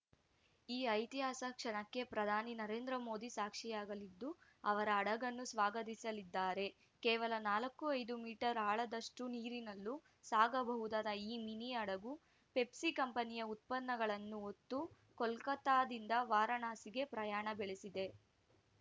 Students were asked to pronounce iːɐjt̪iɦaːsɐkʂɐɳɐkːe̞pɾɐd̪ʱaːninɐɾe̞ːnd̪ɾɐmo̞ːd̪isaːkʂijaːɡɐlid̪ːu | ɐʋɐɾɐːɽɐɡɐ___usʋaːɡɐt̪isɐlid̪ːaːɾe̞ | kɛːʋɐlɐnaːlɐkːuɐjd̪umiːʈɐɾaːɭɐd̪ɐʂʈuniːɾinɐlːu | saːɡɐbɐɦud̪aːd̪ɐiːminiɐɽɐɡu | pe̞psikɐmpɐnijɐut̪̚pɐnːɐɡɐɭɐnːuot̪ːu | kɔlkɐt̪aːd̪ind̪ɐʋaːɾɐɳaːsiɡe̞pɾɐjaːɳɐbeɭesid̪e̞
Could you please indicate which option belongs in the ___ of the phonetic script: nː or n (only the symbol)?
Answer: nː